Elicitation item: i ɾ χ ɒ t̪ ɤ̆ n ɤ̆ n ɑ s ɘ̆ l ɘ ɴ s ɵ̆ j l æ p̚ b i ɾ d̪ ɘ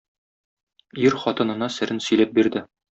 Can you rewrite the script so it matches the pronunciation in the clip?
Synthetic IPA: i ɾ χ ɒ t̪ ɤ̆ n ɤ̆ n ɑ s ɘ̆ ɾ ɘ n s ɵ̆ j l æ p̚ b i ɾ d̪ ɘ

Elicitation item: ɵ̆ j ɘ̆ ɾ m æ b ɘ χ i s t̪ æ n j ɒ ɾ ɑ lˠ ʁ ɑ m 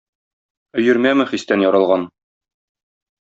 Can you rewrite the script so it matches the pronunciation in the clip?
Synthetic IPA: ɵ̆ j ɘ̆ ɾ m æ m ɘ χ i s t̪ æ n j ɒ ɾ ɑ lˠ ʁ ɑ n

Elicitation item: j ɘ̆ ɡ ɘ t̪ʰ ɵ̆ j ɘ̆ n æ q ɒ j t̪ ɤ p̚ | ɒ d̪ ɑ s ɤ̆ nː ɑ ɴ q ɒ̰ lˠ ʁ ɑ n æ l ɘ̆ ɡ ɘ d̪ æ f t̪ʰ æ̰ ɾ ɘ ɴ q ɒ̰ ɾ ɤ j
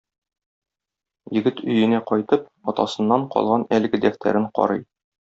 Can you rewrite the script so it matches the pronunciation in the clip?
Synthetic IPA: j ɘ̆ ɡ ɘ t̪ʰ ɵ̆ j ɘ̆ n æ q ɒ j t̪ ɤ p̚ | ɒ t̪ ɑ s ɤ̆ nː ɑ ɴ q ɒ̰ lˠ ʁ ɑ n æ l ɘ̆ ɡ ɘ d̪ æ f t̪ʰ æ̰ ɾ ɘ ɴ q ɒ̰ ɾ ɤ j

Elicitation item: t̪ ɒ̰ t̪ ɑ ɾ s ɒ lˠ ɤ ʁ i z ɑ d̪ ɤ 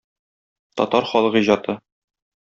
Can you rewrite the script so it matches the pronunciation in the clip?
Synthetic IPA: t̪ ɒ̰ t̪ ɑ ɾ χ ɒ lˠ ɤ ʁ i ʑ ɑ t̪ ɤ

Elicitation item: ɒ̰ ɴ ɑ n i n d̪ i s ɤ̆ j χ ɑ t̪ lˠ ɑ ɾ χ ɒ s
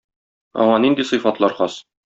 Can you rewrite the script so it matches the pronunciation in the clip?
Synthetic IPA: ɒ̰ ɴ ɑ n i n d̪ i s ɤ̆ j f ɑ t̪ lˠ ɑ ɾ χ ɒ s

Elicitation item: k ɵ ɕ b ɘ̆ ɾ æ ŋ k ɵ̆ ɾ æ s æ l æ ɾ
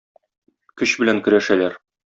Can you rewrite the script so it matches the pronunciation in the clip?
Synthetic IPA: k ɵ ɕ b ɘ̆ l æ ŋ k ɵ̆ ɾ æ ʃ æ l æ ɾ

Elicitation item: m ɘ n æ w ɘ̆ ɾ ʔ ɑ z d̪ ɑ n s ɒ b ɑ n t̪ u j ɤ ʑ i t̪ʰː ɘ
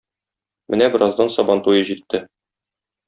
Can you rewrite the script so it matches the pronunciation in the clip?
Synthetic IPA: m ɘ n æ b ɘ̆ ɾ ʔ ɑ z d̪ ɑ n s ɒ b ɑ n t̪ u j ɤ ʑ i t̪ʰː ɘ

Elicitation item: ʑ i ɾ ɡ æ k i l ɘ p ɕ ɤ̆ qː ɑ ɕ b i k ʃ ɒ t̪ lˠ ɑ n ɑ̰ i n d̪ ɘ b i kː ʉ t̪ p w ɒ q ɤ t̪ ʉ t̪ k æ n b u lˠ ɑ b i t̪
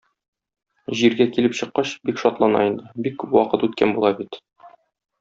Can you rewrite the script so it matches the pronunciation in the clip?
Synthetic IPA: ʑ i ɾ ɡ æ k i l ɘ p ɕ ɤ̆ qː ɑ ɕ b i k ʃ ɒ t̪ lˠ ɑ n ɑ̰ i n d̪ ɘ b i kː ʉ p w ɒ q ɤ t̪ ʉ t̪ k æ n b u lˠ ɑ b i t̪

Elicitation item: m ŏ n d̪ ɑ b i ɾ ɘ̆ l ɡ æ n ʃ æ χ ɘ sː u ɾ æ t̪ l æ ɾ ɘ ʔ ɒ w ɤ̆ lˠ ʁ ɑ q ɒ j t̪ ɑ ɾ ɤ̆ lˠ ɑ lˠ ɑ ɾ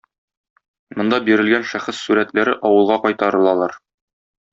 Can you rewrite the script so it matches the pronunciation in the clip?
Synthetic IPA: m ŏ n d̪ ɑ b i ɾ ɘ̆ l ɡ æ n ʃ æ χ ɘ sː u ɾ æ t̪ l æ ɾ ɘ ʔ ɒ w ɤ̆ lˠ ʁ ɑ q ɒ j t̪ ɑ ɾ ɤ̆ lˠ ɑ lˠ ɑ ɾ

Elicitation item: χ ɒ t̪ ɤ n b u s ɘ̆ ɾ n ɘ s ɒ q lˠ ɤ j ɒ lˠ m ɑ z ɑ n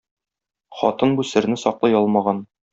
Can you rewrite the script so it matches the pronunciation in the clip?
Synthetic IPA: χ ɒ t̪ ɤ n b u s ɘ̆ ɾ n ɘ s ɒ q lˠ ɤ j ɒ lˠ m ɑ ʁ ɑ n

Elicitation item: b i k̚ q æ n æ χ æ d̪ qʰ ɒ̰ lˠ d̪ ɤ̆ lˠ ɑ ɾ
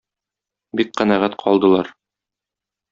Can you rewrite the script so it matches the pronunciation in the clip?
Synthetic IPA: b i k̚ q æ n æ ʁ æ t̪ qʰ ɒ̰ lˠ d̪ ɤ̆ lˠ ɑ ɾ

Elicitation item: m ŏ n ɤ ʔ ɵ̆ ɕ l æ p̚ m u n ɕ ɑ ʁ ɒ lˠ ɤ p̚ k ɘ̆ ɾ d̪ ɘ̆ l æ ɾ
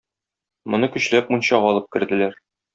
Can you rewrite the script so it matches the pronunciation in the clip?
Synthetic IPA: m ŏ n ɤ k ɵ̆ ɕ l æ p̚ m u n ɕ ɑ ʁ ɒ lˠ ɤ p̚ k ɘ̆ ɾ d̪ ɘ̆ l æ ɾ

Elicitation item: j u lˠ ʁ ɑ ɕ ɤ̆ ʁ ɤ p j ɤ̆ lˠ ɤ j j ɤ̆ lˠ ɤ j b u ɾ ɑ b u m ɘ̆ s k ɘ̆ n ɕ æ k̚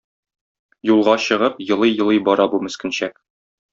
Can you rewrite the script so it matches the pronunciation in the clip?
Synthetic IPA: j u lˠ ʁ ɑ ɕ ɤ̆ ʁ ɤ p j ɤ̆ lˠ ɤ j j ɤ̆ lˠ ɤ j b ɒ ɾ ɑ b u m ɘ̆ s k ɘ̆ n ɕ æ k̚

